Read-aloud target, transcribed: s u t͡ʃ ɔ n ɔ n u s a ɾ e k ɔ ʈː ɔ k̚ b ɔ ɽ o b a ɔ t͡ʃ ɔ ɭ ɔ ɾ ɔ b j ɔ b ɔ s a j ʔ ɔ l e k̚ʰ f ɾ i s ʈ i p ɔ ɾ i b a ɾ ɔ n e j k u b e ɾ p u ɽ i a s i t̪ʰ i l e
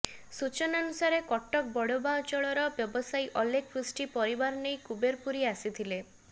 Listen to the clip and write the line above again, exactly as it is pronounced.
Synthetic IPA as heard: s u t͡ʃ ɔ n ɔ n u s a ɾ e k ɔ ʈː ɔ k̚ b ɔ ɽ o b a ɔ t͡ʃ ɔ ɭ ɔ ɾ ɔ b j ɔ b ɔ s a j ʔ ɔ l e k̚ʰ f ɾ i s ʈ i p ɔ ɾ i b a ɾ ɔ n e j k u b e ɾ p u ɾ i a s i t̪ʰ i l e